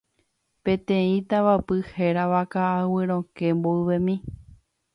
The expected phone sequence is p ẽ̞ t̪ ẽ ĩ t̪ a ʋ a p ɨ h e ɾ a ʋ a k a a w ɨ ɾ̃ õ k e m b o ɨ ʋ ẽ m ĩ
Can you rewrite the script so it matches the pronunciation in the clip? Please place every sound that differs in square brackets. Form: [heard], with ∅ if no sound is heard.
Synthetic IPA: p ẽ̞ t̪ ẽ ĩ t̪ a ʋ a p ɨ h e ɾ a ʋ a k a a w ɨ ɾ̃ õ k e m b o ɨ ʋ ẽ m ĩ